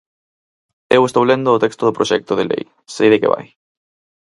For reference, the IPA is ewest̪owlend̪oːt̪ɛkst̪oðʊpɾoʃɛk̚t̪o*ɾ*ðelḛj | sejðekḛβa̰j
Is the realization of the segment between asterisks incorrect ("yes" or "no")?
yes